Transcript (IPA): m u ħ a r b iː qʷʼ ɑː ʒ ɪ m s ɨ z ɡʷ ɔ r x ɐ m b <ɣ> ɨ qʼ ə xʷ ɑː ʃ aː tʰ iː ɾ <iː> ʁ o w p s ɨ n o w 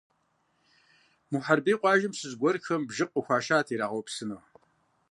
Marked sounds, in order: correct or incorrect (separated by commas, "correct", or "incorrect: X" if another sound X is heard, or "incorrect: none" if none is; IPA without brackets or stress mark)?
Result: incorrect: ʒ, incorrect: aː